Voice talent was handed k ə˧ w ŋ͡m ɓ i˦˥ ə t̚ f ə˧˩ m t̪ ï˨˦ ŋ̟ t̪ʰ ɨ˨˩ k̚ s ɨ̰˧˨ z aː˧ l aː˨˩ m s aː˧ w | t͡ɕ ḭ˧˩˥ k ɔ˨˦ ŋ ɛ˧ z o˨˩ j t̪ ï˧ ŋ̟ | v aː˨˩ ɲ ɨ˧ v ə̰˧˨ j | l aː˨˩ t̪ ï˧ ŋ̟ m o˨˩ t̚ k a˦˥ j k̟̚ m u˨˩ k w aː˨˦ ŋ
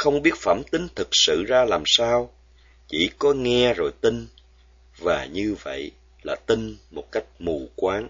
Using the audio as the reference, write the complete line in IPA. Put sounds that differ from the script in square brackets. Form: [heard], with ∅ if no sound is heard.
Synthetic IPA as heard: [x] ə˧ w ŋ͡m ɓ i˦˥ ə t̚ f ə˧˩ m t̪ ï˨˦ ŋ̟ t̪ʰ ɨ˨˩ k̚ s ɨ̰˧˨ z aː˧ l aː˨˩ m s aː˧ w | t͡ɕ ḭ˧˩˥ k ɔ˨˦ ŋ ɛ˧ z o˨˩ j t̪ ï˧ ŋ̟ | v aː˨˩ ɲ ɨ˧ v ə̰˧˨ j | l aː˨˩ t̪ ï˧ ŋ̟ m o˨˩ t̚ k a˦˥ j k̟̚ m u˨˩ k w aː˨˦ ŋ